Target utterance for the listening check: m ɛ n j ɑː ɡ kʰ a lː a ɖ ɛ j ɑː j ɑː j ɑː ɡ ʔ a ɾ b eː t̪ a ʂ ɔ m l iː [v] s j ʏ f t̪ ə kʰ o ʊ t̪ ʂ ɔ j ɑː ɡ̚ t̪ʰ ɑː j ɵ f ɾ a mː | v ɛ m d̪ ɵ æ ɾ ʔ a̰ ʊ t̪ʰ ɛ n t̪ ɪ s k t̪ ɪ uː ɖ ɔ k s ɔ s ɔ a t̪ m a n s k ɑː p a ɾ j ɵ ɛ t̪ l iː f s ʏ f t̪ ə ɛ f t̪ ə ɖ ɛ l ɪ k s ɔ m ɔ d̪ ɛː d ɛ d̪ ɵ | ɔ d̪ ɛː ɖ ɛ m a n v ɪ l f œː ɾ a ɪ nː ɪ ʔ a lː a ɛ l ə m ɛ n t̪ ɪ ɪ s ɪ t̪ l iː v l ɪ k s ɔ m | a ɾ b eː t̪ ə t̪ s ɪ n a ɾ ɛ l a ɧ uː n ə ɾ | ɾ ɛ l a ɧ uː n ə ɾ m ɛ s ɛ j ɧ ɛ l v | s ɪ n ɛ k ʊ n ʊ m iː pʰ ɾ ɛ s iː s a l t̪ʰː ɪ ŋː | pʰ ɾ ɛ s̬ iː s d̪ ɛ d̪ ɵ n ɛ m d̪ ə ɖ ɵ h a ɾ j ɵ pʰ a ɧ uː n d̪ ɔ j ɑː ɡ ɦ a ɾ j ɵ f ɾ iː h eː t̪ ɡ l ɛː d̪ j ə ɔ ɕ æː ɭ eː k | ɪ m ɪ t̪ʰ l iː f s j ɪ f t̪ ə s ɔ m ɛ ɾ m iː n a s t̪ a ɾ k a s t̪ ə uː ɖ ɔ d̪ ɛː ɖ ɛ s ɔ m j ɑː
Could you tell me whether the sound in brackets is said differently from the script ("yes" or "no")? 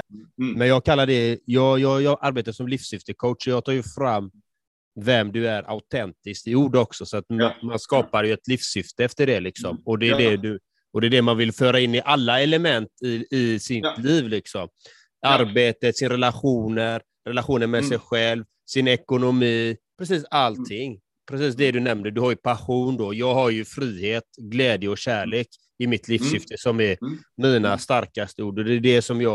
yes